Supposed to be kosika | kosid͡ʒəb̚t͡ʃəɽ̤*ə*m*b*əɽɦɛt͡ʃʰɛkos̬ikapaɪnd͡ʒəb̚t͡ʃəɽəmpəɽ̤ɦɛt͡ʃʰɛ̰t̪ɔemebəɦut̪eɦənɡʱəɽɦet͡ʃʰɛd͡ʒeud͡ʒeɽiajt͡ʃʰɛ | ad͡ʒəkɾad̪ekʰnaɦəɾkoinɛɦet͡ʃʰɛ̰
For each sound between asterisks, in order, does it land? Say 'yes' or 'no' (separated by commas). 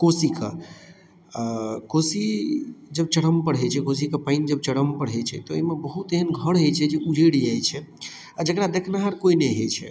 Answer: yes, no